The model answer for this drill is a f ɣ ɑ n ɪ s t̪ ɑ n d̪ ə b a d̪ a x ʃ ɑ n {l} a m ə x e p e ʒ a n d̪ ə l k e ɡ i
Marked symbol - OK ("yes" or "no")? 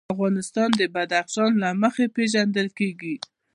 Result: yes